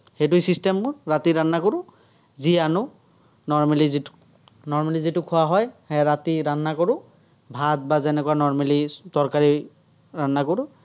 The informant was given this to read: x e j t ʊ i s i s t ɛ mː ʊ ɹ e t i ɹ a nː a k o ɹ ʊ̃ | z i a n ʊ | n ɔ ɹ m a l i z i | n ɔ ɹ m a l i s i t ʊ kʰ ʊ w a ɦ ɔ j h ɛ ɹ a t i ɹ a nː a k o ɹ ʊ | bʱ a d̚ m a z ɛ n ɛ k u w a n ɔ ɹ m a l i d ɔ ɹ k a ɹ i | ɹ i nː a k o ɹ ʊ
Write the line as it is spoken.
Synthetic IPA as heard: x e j t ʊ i s i s t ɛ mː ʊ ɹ a t i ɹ a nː a k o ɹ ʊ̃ | z i a n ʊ | n ɔ ɹ m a l i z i | n ɔ ɹ m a l i z i t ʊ kʰ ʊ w a ɦ ɔ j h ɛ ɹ a t i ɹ a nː a k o ɹ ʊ | bʱ a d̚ b a z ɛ n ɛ k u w a n ɔ ɹ m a l i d ɔ ɹ k a ɹ i | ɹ a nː a k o ɹ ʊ